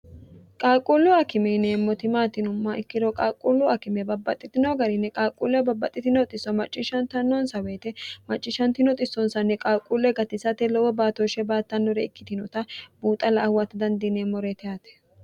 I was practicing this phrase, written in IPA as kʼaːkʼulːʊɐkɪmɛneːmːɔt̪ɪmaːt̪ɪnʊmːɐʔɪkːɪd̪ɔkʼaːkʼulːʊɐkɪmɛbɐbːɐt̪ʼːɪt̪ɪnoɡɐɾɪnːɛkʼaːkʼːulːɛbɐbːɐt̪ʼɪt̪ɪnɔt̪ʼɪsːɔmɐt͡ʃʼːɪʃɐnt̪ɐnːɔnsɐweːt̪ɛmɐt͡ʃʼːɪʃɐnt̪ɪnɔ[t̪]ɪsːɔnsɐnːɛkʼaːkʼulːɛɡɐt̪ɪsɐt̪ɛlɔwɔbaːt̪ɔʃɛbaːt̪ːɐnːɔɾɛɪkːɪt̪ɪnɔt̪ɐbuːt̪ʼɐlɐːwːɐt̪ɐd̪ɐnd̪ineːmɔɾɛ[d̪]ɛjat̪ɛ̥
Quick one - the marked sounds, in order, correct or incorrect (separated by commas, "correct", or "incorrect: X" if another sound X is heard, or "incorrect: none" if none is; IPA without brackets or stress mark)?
incorrect: t̪ʼ, incorrect: t̪